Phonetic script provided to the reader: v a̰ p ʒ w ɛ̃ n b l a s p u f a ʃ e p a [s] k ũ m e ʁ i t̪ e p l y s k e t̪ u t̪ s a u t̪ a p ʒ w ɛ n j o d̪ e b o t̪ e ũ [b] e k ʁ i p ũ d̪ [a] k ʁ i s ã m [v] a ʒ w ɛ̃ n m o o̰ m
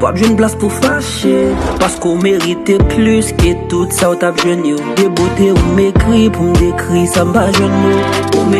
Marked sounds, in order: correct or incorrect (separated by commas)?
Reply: correct, incorrect, incorrect, incorrect